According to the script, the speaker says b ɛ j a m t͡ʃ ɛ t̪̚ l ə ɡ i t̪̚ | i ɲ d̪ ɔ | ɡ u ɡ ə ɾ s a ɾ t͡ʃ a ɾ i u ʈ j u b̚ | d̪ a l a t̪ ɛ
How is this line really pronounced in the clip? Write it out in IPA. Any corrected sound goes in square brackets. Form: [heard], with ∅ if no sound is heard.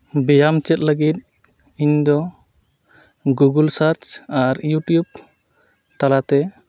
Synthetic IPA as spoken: b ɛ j a m t͡ʃ ɛ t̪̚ l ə ɡ i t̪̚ | i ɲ d̪ ɔ | ɡ u ɡ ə [l] s a ɾ t͡ʃ a ɾ [j] u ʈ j u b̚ | [t̪] a l a t̪ ɛ